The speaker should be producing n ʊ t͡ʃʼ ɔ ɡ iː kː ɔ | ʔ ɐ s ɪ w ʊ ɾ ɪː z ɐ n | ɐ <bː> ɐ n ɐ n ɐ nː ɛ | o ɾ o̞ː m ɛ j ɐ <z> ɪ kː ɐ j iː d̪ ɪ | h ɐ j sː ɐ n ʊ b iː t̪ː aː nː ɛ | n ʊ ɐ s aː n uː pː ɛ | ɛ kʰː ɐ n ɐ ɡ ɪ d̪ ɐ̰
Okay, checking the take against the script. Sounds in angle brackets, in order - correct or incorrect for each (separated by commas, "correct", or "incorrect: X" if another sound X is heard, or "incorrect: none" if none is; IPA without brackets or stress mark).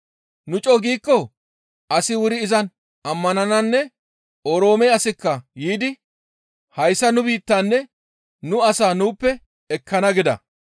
incorrect: mː, incorrect: s